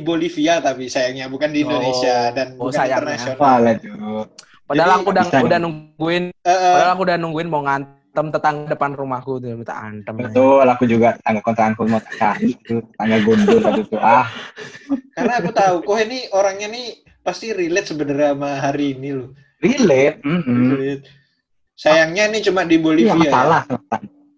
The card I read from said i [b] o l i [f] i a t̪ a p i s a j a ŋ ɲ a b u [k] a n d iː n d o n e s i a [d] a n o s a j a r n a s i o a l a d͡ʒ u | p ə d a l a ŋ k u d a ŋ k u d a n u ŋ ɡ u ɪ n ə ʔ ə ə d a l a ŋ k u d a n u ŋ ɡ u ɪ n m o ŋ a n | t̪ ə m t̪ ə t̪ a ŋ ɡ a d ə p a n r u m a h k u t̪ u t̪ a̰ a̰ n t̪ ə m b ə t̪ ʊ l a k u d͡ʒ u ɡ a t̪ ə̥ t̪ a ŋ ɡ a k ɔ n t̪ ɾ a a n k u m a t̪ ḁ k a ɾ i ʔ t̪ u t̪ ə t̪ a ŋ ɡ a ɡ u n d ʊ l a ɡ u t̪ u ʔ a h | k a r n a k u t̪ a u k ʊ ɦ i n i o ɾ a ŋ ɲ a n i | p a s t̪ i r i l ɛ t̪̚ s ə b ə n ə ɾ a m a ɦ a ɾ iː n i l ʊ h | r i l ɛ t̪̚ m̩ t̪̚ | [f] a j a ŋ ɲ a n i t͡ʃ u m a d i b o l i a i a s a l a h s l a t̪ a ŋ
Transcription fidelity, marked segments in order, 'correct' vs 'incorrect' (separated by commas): correct, correct, correct, correct, incorrect